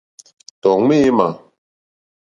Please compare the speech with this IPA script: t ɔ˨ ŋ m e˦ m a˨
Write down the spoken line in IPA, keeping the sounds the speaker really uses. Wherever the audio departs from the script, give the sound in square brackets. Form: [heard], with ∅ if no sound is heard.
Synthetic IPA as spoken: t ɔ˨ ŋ m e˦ m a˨

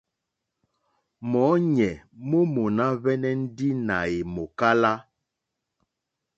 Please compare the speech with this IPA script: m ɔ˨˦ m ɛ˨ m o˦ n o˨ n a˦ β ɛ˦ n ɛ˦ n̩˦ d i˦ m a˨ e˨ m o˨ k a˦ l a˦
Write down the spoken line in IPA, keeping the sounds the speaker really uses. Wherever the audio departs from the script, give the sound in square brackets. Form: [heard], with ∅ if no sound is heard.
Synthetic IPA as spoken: m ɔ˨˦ [ɲ] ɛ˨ m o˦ [m] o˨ n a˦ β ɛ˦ n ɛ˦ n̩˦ d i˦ [n] a˨ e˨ m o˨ k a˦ l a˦

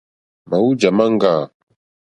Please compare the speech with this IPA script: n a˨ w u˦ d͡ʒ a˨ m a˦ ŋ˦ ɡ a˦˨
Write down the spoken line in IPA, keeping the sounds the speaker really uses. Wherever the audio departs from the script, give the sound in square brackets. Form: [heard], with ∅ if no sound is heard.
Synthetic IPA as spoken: [m] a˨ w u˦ d͡ʒ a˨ m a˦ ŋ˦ ɡ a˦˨

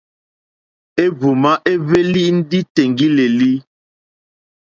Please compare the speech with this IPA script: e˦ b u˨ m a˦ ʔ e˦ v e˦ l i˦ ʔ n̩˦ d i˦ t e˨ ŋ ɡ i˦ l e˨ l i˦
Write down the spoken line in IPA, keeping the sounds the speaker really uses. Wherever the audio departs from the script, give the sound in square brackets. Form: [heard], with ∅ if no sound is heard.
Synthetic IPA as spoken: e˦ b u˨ m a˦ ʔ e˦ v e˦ l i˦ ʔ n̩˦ d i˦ t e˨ ŋ ɡ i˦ l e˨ l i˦

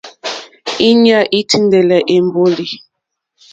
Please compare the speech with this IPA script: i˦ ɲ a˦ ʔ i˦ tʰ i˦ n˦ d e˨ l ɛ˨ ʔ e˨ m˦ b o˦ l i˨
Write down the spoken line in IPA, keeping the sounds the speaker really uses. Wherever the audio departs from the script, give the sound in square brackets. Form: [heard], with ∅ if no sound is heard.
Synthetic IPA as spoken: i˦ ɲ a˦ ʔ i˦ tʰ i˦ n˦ d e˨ l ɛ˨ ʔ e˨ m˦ b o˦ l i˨

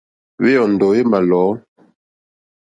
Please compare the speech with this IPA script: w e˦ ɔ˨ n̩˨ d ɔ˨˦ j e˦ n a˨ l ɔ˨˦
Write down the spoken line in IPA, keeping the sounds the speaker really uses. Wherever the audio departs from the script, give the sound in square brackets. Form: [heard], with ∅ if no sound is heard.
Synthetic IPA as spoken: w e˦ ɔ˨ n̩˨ d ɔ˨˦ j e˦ [m] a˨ l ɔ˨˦

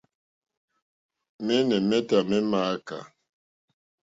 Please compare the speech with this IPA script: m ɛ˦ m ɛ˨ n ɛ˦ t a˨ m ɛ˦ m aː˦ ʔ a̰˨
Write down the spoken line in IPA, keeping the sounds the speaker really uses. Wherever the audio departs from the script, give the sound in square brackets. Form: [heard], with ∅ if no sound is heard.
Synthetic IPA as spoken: m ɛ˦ [n] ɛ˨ [m] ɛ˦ t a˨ m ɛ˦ m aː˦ [k] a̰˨

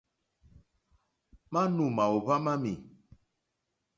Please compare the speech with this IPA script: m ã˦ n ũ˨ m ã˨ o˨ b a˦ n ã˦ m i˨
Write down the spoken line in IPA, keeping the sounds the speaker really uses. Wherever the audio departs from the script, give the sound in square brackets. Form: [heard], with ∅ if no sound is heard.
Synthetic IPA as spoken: m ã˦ n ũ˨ m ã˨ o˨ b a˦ [m] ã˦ m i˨

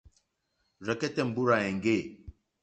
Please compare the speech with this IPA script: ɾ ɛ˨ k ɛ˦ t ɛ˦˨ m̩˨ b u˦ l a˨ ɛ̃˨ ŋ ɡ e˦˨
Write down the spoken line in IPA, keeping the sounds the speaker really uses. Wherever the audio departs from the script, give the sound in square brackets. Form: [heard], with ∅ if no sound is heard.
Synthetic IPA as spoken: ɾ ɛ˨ k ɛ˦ t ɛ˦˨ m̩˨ b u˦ [ɾ] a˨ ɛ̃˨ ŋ ɡ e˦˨

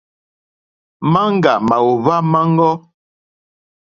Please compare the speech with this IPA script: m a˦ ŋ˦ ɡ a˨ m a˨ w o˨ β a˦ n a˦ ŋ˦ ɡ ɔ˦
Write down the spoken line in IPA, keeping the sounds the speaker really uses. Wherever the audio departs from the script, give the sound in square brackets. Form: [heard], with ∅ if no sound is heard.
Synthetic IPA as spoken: m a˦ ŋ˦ ɡ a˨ m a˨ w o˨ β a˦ [m] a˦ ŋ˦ ɡ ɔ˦

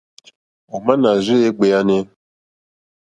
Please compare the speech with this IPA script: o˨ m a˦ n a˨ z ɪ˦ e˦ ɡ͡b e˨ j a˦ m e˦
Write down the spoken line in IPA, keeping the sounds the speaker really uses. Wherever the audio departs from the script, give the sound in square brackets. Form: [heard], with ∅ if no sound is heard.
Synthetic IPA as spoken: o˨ m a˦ n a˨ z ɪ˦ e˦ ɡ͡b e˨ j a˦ [n] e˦

